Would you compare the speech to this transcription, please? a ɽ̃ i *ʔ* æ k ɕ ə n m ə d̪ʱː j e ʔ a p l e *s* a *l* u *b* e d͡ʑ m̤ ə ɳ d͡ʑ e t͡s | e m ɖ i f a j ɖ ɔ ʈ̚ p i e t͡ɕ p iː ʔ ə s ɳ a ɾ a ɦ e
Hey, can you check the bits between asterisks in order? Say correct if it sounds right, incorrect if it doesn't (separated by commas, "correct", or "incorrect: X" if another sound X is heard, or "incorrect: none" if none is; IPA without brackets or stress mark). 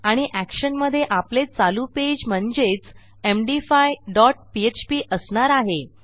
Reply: correct, incorrect: t͡s, correct, incorrect: p